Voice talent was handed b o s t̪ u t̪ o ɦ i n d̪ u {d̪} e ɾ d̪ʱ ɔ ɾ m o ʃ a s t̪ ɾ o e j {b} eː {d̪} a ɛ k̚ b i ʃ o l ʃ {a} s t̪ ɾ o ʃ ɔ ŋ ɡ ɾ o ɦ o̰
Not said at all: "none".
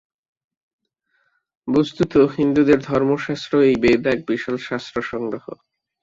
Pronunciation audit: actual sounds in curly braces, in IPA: d̪, b, d̪, a

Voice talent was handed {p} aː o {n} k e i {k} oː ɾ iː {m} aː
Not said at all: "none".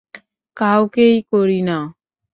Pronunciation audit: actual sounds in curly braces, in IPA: k, none, k, n

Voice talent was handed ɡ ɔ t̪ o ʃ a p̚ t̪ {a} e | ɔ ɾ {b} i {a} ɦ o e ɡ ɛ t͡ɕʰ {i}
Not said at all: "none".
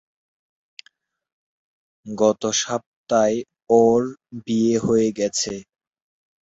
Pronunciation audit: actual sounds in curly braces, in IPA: a, b, e, e

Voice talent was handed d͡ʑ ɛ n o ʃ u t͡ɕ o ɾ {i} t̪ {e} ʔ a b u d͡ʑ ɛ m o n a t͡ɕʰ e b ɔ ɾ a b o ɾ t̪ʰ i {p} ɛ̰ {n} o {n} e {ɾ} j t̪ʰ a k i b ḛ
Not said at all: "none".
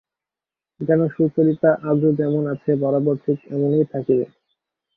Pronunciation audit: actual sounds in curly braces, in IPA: i, a, k, m, n, none

